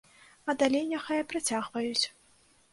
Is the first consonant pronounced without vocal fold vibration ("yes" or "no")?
no